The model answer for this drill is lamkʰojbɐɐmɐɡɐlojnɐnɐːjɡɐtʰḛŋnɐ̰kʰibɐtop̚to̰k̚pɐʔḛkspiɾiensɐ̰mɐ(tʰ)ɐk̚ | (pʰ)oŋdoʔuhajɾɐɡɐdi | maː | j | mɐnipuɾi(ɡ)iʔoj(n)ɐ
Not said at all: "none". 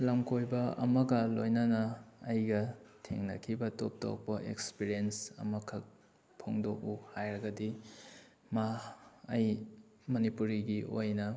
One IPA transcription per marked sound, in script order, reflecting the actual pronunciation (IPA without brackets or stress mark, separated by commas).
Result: kʰ, pʰ, ɡ, n